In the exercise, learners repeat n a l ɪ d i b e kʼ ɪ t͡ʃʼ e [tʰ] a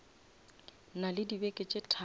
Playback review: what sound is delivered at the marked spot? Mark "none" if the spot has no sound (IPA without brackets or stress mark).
tʰ